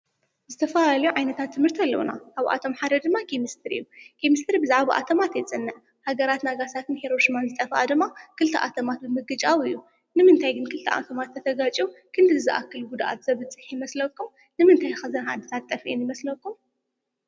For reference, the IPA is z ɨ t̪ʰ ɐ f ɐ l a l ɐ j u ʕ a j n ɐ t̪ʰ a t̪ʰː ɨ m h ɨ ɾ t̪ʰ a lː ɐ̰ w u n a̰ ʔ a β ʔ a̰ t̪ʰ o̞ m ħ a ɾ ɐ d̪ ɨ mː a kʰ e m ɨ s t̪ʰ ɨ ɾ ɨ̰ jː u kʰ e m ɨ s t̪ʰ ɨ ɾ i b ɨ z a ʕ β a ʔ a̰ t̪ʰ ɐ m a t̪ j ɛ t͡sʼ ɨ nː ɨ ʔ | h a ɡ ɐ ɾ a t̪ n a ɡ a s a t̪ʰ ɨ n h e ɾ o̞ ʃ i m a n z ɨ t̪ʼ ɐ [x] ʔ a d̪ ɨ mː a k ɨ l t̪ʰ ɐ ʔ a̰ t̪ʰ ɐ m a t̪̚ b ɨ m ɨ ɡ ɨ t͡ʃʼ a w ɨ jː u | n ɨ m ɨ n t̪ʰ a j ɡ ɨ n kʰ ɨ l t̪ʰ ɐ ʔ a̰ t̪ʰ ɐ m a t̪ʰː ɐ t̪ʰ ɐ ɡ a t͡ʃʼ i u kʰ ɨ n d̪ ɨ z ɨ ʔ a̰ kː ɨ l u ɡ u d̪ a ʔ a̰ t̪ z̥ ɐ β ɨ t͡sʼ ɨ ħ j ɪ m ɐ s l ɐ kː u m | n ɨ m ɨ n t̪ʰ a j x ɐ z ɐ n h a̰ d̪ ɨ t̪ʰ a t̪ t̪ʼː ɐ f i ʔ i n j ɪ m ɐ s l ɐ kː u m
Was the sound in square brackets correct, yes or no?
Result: no